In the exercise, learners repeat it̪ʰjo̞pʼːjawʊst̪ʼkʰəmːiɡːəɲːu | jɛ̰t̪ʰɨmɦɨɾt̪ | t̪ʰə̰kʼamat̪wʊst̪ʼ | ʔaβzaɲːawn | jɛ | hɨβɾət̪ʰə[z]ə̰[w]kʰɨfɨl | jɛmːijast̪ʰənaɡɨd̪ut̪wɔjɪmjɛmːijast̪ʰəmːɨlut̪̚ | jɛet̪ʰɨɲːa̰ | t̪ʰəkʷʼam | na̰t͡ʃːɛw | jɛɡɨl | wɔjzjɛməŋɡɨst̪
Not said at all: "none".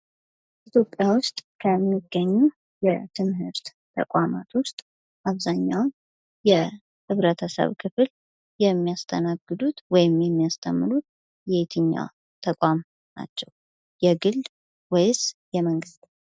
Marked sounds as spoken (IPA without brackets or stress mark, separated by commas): s, β